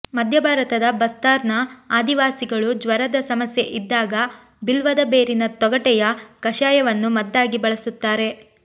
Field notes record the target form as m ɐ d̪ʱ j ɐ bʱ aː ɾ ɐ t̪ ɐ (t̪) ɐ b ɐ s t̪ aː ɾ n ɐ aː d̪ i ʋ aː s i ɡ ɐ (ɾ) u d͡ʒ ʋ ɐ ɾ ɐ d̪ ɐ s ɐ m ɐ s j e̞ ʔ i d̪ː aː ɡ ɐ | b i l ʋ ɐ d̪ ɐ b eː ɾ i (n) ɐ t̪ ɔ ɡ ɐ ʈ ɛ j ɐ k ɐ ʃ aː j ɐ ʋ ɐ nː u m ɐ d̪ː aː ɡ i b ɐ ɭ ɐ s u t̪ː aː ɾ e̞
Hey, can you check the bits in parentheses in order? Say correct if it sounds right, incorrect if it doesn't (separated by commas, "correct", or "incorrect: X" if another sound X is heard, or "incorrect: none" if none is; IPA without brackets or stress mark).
incorrect: d̪, incorrect: ɭ, correct